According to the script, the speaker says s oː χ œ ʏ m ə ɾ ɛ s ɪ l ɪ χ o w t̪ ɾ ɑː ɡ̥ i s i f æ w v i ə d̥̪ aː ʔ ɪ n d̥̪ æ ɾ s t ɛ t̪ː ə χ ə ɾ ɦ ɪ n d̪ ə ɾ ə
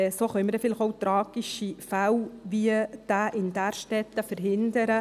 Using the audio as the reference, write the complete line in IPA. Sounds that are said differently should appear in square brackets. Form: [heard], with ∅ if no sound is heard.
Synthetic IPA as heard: s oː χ œ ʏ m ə ɾ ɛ [f] ɪ l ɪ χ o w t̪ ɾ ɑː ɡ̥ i [ʃ] i f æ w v i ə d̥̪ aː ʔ ɪ n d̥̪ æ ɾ [ʃ] t ɛ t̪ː ə [f] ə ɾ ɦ ɪ n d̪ ə ɾ ə